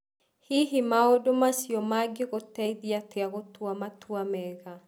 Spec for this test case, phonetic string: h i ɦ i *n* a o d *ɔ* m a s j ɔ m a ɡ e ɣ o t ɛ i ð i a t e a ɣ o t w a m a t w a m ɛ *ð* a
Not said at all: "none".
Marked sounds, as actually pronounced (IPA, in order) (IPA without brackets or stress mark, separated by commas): m, o, ɣ